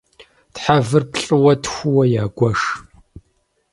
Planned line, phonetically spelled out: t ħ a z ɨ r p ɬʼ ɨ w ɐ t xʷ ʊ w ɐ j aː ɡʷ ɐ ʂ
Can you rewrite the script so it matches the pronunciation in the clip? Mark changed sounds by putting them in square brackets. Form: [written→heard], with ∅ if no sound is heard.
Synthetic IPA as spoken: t ħ a [z→v] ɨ r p ɬʼ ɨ w ɐ t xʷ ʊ w ɐ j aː ɡʷ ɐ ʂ